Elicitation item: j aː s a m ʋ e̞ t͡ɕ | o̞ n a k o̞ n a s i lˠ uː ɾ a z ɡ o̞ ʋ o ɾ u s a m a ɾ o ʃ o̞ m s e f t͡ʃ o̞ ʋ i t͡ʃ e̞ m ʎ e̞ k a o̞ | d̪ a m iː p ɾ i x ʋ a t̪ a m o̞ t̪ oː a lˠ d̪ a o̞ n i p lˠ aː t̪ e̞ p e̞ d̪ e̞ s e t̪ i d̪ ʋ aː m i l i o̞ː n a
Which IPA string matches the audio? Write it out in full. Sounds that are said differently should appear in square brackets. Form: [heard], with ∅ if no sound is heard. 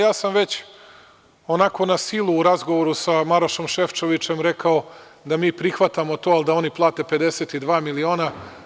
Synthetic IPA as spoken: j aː s a m ʋ e̞ t͡ɕ | o̞ n a k o̞ n a s i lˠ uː ɾ a z ɡ o̞ ʋ o ɾ u s a m a ɾ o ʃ o̞ m [ʃ] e f t͡ʃ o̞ ʋ i t͡ʃ e̞ m [ɾ] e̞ k a o̞ | d̪ a m iː p ɾ i x ʋ a t̪ a m o̞ t̪ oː a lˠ d̪ a o̞ n i p lˠ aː t̪ e̞ p e̞ d̪ e̞ s e t̪ i d̪ ʋ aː m i l i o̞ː n a

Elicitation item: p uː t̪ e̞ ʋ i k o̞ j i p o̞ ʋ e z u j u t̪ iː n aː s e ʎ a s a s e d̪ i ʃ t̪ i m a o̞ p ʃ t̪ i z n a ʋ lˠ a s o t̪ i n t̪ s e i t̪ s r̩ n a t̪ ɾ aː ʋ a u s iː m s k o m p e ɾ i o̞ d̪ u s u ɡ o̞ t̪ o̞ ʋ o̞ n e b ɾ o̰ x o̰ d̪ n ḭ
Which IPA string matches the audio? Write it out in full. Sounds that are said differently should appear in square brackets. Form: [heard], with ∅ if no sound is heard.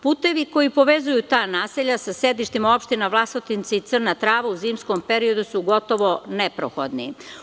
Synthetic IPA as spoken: p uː t̪ e̞ ʋ i k o̞ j i p o̞ ʋ e z u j u t̪ [aː] n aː s e ʎ a s a s e d̪ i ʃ t̪ i m a o̞ p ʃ t̪ i [∅] n a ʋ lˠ a s o t̪ i n t̪ s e i t̪ s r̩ n a t̪ ɾ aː ʋ a u [z] iː m s k o m p e ɾ i o̞ d̪ u s u ɡ o̞ t̪ o̞ ʋ o̞ n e [p] ɾ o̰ x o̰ d̪ n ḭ

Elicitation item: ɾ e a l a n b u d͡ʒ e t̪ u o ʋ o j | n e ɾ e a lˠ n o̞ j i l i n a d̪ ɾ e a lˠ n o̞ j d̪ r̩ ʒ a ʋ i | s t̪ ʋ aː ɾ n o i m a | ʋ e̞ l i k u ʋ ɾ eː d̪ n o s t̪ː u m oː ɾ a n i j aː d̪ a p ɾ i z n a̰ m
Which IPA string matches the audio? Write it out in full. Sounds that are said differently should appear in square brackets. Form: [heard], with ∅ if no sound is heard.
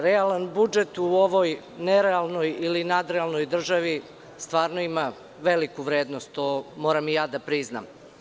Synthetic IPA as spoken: ɾ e a l a n b u d͡ʒ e t̪ u o ʋ o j | n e ɾ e a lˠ n o̞ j i l i n a d̪ ɾ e a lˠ n o̞ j d̪ r̩ ʒ a ʋ i | s t̪ ʋ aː ɾ n o i m a | ʋ e̞ l i k u ʋ ɾ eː d̪ n o s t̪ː [o] m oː ɾ a [m] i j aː d̪ a p ɾ i z n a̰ m

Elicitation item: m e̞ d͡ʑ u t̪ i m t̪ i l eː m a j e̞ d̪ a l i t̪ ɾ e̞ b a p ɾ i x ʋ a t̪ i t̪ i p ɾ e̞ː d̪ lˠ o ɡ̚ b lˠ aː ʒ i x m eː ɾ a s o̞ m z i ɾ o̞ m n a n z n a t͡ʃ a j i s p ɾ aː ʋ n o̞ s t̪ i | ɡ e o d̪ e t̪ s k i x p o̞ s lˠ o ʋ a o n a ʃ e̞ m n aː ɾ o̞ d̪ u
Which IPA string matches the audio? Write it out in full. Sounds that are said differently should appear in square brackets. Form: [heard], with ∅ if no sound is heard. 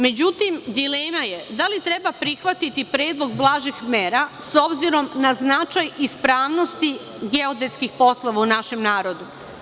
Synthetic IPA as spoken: m e̞ d͡ʑ u t̪ i m [d̪] i l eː m a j e̞ d̪ a l i t̪ ɾ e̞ b a p ɾ i x ʋ a t̪ i t̪ i p ɾ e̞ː d̪ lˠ o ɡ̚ b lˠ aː ʒ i x m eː ɾ a s o̞ [b] z i ɾ o̞ m n a [∅] z n a t͡ʃ a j i s p ɾ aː ʋ n o̞ s t̪ i | ɡ e o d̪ e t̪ s k i x p o̞ s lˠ o ʋ a [u] n a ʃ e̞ m n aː ɾ o̞ d̪ u

